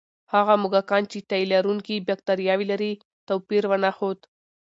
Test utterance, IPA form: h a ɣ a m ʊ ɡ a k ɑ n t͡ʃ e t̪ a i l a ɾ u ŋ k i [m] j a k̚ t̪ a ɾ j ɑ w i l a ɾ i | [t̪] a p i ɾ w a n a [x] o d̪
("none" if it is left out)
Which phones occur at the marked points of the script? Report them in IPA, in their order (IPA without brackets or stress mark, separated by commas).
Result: b, t̪, x